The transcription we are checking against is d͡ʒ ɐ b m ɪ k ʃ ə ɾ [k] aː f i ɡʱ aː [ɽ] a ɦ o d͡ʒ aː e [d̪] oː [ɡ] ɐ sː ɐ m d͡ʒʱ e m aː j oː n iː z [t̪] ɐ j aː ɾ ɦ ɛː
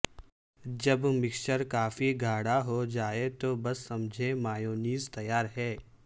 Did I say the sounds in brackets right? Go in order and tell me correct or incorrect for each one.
correct, correct, incorrect, incorrect, correct

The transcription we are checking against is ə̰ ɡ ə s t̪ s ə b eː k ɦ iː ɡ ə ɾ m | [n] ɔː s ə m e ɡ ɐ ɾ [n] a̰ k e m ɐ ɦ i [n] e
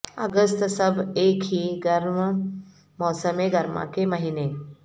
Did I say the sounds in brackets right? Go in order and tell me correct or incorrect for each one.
incorrect, incorrect, correct

